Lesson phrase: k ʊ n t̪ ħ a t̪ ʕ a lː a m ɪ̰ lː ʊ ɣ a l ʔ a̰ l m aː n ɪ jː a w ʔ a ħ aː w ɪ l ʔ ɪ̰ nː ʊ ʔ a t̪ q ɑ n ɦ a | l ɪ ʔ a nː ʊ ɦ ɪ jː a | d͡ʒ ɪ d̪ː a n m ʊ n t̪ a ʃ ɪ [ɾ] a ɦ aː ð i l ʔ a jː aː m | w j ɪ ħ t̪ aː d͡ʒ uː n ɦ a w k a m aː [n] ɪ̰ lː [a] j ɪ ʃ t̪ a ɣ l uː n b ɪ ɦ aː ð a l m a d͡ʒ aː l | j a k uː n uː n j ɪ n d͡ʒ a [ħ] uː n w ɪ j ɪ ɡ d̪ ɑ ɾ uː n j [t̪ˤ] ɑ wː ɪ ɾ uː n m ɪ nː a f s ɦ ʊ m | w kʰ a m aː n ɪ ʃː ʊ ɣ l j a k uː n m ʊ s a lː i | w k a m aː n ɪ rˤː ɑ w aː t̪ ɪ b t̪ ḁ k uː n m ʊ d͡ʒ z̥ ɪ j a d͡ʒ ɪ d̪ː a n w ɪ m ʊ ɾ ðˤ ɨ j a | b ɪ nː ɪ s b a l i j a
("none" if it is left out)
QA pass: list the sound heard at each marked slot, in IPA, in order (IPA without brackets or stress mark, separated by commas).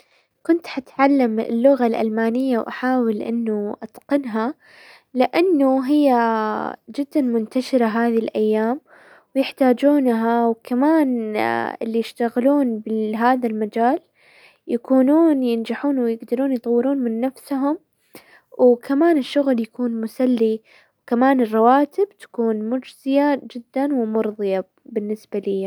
ɾ, n, i, ħ, t̪ˤ